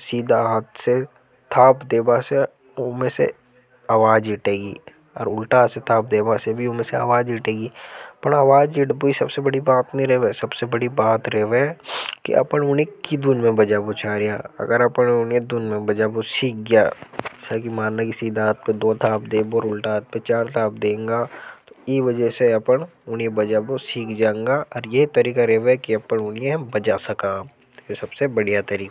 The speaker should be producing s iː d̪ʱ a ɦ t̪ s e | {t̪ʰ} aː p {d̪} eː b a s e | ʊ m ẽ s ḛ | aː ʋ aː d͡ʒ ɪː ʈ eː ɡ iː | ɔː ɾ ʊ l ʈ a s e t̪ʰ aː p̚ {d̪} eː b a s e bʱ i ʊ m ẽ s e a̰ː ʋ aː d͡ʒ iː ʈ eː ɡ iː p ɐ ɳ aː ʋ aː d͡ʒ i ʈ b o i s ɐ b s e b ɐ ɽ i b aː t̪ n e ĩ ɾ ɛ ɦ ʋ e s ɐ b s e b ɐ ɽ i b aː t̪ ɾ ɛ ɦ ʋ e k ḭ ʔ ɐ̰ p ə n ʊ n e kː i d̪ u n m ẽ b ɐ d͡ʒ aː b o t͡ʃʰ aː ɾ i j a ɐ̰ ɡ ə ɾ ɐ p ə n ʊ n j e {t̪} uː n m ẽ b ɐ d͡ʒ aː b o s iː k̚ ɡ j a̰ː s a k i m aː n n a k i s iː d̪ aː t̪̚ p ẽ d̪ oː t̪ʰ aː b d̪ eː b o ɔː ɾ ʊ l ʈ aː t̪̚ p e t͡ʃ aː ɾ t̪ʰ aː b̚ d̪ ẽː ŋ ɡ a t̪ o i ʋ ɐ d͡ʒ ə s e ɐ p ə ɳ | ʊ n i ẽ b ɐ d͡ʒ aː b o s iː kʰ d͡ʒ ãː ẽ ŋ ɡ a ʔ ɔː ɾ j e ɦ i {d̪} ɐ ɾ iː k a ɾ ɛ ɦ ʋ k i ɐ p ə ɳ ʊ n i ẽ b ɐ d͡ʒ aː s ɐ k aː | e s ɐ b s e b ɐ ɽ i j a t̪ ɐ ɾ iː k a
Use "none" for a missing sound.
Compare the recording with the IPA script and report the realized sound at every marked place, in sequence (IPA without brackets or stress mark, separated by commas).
t̪ʰ, d̪, d̪, d̪, t̪